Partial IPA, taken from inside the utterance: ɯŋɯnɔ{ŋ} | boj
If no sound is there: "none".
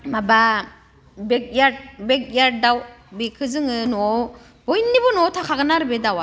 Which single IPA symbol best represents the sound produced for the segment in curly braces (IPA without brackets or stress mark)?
none